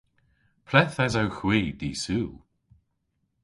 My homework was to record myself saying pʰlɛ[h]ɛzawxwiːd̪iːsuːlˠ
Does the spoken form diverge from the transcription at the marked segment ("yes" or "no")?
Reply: yes